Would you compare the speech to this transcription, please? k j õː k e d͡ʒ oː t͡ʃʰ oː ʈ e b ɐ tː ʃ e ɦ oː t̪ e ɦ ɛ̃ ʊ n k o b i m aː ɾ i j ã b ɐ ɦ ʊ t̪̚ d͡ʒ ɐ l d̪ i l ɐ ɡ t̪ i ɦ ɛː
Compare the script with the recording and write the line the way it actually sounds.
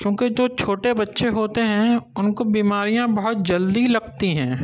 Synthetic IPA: k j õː k e d͡ʒ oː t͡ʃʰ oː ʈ e b ɐ tː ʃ e ɦ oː t̪ e ɦ ɛ̃ ʊ n k o b iː m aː ɾ i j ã b ɐ ɦ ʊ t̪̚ d͡ʒ ɐ l d̪ i l ɐ ɡ t̪ i ɦ ɛ̃ː